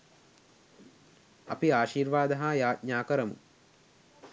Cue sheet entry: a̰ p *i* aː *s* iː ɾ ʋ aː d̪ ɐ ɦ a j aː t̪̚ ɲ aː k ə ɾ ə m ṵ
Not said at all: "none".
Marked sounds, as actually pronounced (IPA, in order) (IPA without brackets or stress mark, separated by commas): i, ʃ